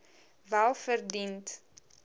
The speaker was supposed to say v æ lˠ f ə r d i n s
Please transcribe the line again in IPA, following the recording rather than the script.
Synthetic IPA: v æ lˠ f ə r d i n t